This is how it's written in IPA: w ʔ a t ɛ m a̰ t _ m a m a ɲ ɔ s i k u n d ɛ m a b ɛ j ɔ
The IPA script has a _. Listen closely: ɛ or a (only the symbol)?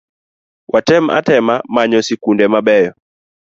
ɛ